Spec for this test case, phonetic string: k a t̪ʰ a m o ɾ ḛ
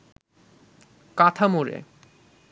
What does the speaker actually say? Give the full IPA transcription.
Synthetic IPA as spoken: k a t̪ʰ a m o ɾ ḛ